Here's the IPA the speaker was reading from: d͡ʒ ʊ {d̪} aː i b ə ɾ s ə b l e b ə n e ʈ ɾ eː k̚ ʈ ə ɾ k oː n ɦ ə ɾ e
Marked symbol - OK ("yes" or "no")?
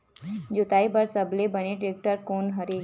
no